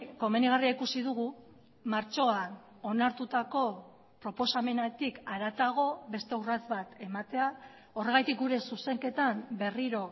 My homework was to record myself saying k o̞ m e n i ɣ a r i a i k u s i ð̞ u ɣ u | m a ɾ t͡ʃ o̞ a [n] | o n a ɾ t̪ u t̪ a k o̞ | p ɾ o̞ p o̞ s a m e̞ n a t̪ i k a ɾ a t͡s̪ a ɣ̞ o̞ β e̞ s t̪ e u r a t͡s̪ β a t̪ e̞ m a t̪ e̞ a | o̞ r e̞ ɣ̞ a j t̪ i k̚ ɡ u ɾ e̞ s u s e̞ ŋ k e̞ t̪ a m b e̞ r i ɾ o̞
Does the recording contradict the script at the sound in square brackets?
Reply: no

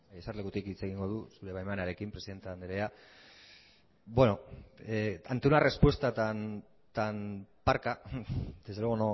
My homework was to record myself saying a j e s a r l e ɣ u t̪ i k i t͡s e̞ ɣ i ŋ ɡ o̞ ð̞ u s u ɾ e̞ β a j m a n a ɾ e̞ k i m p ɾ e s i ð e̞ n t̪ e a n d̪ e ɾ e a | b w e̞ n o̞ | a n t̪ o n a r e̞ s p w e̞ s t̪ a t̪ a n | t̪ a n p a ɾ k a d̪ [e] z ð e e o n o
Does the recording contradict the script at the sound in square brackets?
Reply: no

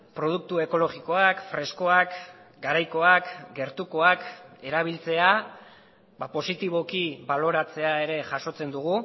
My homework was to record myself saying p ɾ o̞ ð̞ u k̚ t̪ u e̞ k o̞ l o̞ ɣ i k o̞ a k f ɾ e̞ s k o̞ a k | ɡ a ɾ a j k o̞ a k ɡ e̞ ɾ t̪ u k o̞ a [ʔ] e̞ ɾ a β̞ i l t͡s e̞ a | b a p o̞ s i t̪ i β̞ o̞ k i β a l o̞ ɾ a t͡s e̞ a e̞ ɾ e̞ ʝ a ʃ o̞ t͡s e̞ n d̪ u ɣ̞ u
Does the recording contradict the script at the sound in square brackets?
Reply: yes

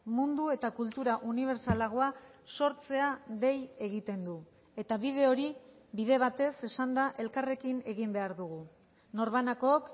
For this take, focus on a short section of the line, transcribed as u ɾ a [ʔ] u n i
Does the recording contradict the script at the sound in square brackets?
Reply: no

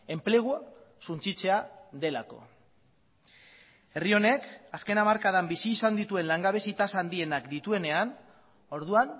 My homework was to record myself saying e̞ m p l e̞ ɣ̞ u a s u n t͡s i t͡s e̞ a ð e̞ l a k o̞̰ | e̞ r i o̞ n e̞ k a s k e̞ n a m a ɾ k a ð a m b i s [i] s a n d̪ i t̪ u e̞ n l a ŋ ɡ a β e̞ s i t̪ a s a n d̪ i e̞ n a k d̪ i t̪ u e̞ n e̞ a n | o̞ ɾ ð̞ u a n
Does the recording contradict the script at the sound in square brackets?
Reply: yes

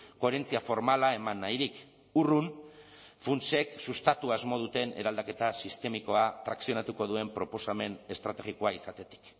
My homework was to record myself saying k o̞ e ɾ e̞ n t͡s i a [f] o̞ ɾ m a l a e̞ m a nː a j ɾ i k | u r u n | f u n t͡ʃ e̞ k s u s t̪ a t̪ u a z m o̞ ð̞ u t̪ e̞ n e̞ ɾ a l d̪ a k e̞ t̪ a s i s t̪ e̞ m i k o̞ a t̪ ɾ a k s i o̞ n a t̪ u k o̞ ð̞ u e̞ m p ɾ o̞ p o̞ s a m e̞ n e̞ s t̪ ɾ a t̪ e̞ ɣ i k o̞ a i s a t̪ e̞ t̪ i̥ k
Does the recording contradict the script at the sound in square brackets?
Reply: no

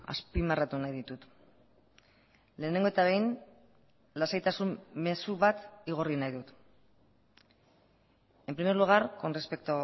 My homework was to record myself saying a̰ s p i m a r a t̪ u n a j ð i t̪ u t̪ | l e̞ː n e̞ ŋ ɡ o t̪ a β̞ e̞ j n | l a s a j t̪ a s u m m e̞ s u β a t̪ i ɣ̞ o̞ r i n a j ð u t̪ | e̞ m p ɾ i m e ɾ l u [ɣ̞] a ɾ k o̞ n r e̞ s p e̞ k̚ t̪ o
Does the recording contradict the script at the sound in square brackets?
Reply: no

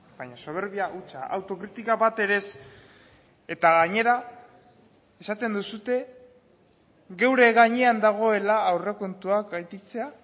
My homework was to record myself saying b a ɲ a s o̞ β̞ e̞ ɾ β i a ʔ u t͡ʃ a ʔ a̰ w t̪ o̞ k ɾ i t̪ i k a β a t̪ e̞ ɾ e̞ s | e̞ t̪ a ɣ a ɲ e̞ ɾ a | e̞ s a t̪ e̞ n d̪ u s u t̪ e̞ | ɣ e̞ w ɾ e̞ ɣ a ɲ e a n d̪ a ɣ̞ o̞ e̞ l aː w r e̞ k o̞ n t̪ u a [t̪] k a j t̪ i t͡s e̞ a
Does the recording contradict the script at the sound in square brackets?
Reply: yes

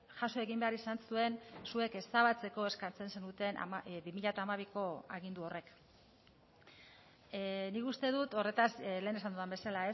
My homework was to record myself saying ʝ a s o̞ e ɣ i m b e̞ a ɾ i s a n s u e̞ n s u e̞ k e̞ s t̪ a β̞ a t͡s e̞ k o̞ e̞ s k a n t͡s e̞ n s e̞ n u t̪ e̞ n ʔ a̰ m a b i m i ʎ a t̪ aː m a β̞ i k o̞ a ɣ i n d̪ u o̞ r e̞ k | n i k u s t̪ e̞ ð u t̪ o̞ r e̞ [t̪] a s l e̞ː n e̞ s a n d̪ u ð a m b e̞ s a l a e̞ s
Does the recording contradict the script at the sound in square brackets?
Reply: no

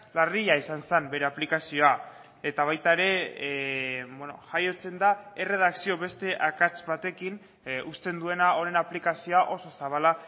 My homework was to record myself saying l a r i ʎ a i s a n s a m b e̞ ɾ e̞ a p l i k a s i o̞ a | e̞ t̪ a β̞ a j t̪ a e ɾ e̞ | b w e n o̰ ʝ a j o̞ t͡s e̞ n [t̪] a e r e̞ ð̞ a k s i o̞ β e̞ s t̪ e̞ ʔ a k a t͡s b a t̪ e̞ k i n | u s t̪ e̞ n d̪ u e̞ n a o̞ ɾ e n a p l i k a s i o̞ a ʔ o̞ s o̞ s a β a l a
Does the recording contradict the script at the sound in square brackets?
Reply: yes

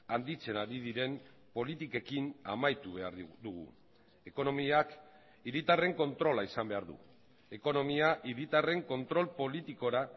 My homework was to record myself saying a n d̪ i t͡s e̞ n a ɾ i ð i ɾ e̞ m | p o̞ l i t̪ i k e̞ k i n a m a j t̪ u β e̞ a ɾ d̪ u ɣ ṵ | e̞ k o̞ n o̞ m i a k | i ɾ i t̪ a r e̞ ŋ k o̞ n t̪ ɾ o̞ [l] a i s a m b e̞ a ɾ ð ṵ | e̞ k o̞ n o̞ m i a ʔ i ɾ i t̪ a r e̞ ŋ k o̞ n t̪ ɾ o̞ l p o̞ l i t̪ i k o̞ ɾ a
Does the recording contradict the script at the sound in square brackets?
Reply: no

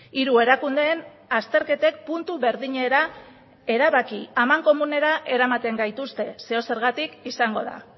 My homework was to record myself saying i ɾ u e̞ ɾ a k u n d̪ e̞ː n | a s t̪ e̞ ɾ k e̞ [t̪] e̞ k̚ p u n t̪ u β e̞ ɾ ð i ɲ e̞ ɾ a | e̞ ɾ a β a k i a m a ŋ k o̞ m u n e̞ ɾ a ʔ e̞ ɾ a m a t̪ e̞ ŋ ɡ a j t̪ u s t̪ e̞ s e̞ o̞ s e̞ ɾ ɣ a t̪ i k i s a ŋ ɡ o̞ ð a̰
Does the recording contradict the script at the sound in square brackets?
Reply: no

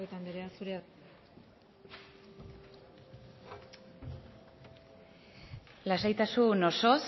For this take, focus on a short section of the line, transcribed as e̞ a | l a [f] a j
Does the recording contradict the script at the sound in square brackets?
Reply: yes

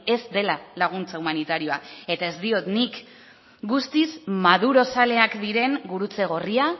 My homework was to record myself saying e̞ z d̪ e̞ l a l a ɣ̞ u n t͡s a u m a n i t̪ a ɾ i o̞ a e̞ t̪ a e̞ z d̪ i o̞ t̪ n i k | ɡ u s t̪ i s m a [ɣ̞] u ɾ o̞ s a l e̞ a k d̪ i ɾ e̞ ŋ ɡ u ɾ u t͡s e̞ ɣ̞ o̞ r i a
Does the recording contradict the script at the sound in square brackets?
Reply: yes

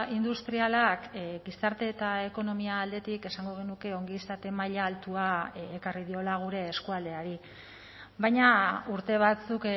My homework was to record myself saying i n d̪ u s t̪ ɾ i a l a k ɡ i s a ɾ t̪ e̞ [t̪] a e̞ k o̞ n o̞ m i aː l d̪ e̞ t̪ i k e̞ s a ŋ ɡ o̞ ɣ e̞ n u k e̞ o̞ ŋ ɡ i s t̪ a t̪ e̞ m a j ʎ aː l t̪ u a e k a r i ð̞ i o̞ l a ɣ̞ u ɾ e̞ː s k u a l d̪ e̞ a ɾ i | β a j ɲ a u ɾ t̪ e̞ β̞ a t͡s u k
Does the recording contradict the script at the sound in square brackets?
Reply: no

